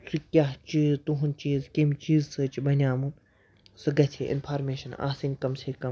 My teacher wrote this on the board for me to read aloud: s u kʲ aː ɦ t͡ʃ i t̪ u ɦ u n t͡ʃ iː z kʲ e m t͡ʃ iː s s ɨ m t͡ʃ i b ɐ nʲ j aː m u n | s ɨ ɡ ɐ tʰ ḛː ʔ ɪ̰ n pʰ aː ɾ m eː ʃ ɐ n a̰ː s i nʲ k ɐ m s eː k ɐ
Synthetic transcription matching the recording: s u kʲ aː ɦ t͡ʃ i t̪ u ɦ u n t͡ʃ iː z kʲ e m t͡ʃ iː z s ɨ t͡ʃ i b ɐ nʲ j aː m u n | s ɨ ɡ ɐ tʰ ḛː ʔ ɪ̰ n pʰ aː ɾ m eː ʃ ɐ n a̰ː s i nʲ k ɐ m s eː k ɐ